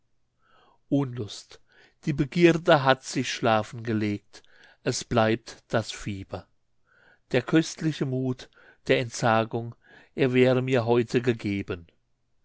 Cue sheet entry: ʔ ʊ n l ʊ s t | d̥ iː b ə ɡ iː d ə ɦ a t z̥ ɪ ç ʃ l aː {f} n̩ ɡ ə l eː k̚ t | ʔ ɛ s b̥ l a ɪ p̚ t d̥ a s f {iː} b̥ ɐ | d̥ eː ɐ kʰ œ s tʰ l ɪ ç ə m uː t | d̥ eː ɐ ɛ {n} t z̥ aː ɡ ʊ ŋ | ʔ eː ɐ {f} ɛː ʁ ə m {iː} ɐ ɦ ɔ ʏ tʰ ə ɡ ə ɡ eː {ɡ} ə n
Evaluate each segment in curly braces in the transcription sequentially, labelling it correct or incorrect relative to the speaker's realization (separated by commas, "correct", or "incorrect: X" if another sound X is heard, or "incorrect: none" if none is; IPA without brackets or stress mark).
correct, correct, correct, incorrect: v, correct, incorrect: b